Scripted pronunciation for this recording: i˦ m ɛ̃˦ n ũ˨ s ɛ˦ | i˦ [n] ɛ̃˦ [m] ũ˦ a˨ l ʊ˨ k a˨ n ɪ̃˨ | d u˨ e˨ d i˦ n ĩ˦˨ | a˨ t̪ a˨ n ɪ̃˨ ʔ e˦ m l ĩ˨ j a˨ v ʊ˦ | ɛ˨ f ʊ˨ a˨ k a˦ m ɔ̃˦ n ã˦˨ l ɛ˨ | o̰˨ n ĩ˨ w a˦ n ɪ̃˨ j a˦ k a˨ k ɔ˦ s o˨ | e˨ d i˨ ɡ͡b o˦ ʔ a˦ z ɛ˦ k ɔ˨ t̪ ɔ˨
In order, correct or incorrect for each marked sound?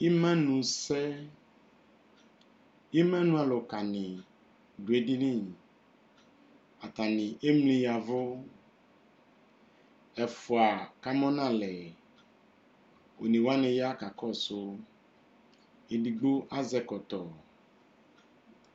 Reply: incorrect: m, incorrect: n

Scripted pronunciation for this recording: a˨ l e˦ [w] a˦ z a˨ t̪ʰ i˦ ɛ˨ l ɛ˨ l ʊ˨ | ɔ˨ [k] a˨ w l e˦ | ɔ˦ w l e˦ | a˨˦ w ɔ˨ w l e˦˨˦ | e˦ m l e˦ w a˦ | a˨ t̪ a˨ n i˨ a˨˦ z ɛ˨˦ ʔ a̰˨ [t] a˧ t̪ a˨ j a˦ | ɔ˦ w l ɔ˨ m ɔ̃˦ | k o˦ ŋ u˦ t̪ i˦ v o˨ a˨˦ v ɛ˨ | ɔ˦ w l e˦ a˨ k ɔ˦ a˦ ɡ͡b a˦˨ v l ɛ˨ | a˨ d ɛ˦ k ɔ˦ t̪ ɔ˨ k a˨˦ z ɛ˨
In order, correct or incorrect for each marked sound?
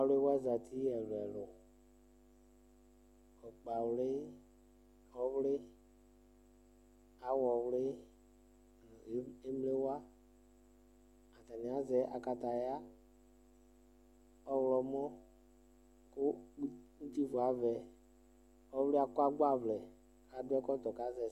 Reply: correct, incorrect: k͡p, incorrect: k

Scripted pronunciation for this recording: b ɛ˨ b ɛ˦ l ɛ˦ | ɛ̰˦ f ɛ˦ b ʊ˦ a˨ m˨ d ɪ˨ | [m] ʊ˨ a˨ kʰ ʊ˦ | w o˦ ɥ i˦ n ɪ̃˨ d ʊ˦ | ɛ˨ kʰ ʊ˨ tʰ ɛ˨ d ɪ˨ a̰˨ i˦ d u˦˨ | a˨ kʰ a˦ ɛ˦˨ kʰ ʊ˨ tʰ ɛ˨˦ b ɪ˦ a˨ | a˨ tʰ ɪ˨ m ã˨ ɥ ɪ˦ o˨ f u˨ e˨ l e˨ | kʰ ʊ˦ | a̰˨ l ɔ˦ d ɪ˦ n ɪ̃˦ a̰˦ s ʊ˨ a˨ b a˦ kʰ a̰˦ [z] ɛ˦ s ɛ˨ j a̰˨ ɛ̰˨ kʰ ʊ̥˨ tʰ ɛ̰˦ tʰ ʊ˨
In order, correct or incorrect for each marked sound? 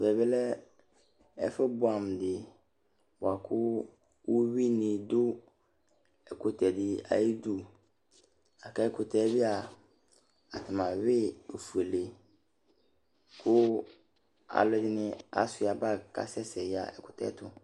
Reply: incorrect: b, incorrect: s

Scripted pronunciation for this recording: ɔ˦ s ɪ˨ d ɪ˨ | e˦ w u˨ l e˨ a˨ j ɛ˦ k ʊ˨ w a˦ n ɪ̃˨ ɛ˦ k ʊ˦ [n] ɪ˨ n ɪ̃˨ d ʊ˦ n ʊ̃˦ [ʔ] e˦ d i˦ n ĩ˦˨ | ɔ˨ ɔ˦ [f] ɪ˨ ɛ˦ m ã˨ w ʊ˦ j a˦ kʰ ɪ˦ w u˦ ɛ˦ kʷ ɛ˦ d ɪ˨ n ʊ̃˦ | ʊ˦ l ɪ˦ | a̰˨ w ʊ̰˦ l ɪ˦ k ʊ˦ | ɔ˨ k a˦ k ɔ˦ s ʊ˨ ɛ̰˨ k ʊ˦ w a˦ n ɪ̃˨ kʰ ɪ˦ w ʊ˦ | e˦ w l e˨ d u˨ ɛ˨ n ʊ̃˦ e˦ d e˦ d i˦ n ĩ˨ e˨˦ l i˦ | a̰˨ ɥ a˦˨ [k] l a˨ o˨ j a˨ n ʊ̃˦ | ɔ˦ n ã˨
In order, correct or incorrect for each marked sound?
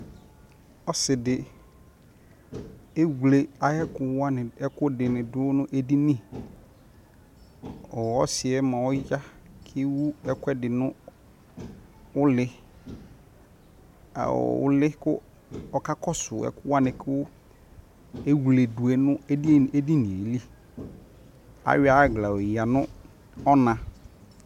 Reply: incorrect: d, correct, incorrect: s, incorrect: ɡ

